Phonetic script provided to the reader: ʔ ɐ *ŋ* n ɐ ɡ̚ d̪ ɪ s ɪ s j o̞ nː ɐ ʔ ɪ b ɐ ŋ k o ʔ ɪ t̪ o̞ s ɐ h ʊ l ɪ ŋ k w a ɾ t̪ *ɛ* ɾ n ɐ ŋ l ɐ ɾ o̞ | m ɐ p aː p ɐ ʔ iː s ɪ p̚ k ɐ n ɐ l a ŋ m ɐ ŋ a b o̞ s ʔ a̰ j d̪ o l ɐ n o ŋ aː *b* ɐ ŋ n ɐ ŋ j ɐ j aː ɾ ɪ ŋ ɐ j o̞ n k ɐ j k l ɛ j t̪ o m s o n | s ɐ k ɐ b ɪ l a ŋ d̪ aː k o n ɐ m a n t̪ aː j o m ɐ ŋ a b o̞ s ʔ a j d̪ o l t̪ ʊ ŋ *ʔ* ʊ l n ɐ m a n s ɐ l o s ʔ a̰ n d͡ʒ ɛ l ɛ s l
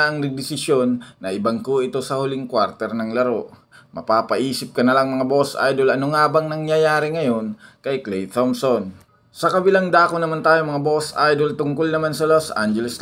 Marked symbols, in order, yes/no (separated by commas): yes, yes, yes, no